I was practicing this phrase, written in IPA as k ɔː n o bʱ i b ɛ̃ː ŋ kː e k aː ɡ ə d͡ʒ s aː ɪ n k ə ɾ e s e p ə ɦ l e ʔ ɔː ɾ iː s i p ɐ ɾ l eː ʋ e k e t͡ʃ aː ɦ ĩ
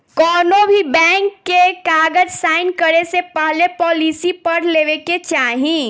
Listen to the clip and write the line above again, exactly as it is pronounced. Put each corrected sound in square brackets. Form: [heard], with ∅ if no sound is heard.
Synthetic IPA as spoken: k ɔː n o bʱ i b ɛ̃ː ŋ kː e k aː ɡ ə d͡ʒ s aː ɪ n k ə ɾ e s e p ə ɦ l e [p] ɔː [l] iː s i p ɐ ɾ l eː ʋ e k e t͡ʃ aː ɦ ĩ